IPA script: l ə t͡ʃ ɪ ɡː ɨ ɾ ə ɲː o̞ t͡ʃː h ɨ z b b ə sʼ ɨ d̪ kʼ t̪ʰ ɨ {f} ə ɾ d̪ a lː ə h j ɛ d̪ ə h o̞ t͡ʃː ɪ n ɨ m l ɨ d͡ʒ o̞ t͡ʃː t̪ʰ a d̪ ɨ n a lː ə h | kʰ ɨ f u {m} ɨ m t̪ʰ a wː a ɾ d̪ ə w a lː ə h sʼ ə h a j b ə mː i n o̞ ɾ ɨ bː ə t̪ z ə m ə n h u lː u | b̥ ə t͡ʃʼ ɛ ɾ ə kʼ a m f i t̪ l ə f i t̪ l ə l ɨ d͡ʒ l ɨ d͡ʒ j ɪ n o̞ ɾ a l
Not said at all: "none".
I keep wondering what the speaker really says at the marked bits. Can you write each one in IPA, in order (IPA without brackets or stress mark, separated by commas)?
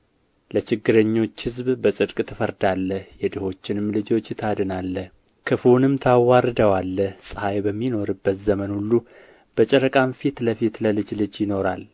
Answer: f, n